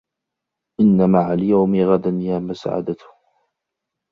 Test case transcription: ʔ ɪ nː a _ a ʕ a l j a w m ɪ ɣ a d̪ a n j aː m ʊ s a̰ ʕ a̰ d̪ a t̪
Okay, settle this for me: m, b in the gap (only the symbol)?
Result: m